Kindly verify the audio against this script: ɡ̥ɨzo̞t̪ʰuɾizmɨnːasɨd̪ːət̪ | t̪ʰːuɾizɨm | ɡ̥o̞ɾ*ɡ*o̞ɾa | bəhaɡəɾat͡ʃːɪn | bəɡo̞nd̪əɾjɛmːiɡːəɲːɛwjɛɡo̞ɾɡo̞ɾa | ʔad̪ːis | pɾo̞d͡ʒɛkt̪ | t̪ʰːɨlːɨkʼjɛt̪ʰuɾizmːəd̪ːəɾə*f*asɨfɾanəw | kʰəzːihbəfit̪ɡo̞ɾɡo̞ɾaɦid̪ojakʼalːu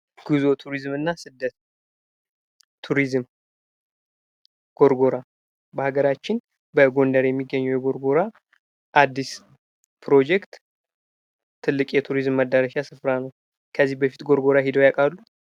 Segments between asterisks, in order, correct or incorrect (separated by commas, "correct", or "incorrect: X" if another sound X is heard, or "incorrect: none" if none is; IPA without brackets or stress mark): correct, incorrect: ʃ